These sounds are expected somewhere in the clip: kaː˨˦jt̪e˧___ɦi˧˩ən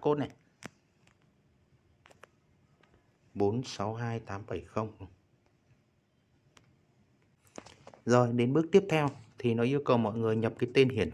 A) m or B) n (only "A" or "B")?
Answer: B